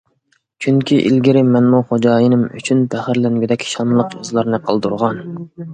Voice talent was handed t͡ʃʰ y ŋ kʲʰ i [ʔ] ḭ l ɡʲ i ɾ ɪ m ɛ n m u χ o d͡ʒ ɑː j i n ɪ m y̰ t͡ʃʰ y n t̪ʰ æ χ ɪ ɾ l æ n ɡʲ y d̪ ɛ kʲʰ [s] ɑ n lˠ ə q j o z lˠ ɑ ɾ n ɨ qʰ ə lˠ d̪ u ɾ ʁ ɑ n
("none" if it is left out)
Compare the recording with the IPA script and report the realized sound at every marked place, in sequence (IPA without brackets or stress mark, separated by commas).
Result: ʔ, ʃ